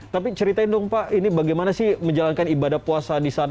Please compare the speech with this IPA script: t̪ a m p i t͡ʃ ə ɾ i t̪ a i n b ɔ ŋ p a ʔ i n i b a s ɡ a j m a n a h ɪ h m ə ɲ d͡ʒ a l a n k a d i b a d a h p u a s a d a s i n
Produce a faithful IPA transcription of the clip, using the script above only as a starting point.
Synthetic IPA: t̪ a p i t͡ʃ ə ɾ i t̪ a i n d ɔ ŋ p a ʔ i n i b a ɡ a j m a n a s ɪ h m ə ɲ d͡ʒ a l a n k a n i b a d a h p u a s a d i s a n